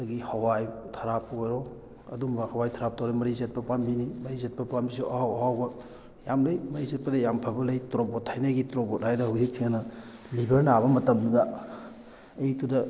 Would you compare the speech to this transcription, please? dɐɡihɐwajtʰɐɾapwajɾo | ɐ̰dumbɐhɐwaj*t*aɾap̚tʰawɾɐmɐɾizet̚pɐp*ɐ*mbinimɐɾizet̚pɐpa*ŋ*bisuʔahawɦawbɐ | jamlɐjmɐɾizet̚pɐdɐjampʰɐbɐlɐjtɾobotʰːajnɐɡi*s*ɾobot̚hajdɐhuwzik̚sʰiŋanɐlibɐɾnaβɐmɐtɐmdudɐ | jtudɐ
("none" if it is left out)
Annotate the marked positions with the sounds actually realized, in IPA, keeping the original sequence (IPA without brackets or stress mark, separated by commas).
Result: tʰ, a, m, t